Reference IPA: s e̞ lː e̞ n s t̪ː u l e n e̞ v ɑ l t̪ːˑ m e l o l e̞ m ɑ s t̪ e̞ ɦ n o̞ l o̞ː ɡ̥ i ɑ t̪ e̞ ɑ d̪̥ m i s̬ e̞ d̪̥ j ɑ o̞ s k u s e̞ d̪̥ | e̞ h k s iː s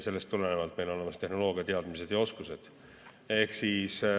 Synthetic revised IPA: s e̞ lː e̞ s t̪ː u l e n e̞ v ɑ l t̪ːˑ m e l o l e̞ m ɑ s t̪ e̞ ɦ n o̞ l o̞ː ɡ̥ i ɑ t̪ e̞ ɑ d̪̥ m i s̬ e̞ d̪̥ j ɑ o̞ s k u s e̞ d̪̥ | e̞ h k s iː s